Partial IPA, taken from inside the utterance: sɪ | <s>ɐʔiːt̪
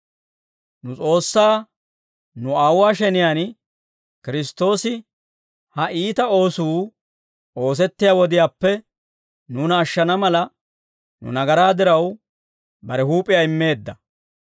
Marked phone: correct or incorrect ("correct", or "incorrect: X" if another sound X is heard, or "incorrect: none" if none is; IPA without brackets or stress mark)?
incorrect: h